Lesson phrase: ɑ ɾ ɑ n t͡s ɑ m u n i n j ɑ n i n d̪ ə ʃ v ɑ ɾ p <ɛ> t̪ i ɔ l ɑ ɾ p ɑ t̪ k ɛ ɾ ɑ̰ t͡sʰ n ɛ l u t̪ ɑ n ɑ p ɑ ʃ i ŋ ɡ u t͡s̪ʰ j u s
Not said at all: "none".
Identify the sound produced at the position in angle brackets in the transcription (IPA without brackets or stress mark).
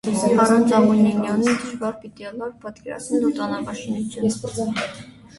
i